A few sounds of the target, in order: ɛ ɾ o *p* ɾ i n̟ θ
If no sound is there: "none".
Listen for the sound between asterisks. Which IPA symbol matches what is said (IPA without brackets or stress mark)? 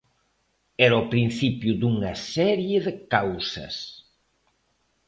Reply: p